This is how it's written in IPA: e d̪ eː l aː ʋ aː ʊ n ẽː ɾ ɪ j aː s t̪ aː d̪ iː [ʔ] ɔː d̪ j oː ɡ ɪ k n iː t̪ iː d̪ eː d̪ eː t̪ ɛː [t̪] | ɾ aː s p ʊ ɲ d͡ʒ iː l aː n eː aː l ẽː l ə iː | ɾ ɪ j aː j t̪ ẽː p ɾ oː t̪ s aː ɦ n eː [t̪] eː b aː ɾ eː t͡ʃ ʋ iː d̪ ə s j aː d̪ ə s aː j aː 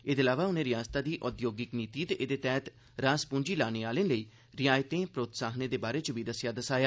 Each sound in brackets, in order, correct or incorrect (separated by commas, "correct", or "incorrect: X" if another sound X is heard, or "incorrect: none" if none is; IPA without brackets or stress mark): correct, correct, incorrect: d̪